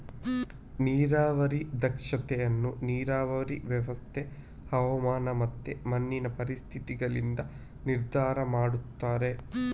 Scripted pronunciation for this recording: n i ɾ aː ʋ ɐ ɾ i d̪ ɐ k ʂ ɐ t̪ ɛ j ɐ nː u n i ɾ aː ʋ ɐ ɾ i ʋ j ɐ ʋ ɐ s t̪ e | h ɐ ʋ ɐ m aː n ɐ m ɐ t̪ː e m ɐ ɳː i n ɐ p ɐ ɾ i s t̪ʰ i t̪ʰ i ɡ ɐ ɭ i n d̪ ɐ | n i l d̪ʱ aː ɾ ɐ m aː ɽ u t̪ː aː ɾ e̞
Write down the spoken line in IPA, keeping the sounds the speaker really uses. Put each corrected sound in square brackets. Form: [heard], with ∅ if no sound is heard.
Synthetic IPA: n [iː] ɾ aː ʋ ɐ ɾ i d̪ ɐ k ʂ ɐ t̪ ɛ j ɐ nː u n [iː] ɾ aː ʋ ɐ ɾ i ʋ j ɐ ʋ ɐ s [t̪ʰ] e | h ɐ ʋ ɐ m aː n ɐ m ɐ t̪ː e m ɐ [nː] i n ɐ p ɐ ɾ i s t̪ʰ i [t̪] i ɡ ɐ ɭ i n d̪ ɐ | n i [ɾ] d̪ʱ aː ɾ ɐ m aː ɽ u t̪ː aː ɾ e̞